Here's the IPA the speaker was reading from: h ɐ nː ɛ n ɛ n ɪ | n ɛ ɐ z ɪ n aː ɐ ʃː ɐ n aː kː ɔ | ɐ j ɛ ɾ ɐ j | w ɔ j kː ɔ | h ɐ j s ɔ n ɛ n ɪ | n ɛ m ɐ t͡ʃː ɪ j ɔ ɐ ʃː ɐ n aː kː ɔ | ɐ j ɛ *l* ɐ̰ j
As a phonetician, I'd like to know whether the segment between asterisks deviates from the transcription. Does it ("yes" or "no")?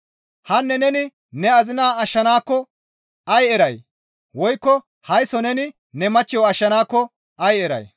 yes